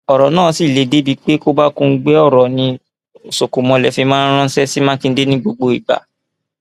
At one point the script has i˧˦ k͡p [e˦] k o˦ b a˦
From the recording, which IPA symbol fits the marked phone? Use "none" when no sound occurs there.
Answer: e˦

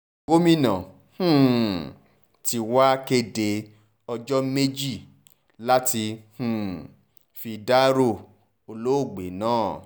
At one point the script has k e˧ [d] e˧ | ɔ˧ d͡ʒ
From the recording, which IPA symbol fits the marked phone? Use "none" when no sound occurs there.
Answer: d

